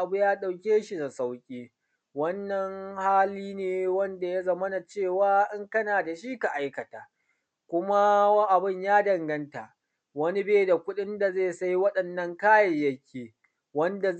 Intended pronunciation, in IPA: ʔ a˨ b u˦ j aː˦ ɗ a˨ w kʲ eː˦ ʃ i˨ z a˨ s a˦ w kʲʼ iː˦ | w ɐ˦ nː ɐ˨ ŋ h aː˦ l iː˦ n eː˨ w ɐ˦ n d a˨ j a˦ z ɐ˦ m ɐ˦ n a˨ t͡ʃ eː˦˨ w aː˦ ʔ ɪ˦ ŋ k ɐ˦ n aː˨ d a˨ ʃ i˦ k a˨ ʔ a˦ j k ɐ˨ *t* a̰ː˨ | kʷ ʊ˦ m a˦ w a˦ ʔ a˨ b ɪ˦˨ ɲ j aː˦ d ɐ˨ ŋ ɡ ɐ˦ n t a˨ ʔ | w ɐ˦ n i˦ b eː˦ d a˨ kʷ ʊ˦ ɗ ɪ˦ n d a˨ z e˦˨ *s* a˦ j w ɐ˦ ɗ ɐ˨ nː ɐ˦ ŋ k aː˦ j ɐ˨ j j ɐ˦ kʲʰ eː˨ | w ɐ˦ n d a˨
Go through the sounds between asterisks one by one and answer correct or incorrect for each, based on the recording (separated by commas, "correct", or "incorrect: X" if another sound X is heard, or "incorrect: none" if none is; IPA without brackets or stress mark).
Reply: correct, correct